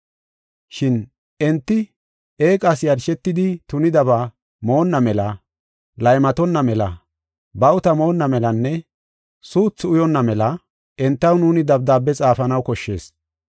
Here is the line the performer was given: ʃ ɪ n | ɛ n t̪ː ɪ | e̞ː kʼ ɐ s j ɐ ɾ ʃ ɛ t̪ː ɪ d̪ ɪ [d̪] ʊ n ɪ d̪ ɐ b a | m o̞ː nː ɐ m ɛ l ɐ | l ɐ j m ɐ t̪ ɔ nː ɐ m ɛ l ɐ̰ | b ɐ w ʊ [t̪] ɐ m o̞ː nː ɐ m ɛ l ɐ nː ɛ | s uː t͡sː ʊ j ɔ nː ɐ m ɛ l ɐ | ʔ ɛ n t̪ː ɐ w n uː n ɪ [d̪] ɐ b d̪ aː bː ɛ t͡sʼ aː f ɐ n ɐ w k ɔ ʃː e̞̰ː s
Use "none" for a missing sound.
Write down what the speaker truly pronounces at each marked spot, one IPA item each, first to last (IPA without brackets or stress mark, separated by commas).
t̪, t̪, d̪